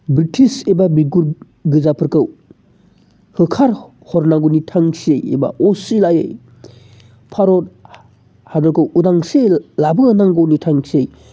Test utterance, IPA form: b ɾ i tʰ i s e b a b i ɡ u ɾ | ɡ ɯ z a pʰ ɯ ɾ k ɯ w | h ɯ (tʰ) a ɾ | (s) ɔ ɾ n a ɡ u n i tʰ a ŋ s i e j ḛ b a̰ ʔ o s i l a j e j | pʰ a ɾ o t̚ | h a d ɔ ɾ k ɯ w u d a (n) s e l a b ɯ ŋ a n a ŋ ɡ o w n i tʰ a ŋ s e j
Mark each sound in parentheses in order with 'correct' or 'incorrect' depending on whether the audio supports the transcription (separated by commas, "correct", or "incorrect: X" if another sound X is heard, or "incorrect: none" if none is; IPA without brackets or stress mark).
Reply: incorrect: kʰ, incorrect: h, incorrect: ŋ